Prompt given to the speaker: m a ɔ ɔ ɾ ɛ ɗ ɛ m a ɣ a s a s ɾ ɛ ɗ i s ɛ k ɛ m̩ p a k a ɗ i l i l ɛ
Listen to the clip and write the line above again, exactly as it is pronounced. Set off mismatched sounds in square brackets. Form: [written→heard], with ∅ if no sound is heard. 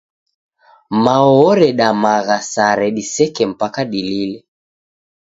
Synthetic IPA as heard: m a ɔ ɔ ɾ ɛ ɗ [ɛ→a] m a ɣ a s a [s→∅] ɾ ɛ ɗ i s ɛ k ɛ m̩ p a k a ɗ i l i l ɛ